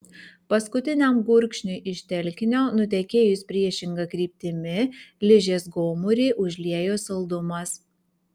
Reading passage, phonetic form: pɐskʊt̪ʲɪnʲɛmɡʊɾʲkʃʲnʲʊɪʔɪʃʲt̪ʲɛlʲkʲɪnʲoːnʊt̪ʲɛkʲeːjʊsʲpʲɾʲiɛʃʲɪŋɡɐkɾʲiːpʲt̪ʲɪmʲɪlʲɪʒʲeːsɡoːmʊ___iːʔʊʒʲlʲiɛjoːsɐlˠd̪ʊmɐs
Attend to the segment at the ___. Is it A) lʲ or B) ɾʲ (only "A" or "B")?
B